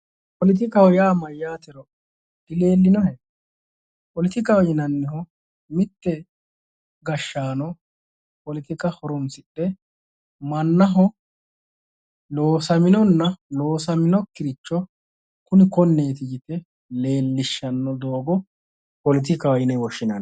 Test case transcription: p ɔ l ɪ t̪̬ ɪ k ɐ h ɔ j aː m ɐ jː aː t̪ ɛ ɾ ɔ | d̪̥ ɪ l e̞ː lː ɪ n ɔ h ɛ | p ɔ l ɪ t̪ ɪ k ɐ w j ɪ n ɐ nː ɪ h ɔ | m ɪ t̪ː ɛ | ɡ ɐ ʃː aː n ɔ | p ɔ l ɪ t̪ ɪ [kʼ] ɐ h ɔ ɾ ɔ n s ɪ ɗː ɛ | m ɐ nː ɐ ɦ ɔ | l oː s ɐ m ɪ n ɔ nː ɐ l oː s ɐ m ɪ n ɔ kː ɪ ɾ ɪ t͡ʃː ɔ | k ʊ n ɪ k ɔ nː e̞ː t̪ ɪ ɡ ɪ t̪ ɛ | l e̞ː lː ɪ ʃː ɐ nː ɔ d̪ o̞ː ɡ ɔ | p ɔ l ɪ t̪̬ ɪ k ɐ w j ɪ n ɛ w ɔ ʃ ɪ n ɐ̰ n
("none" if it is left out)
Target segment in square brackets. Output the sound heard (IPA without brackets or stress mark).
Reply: k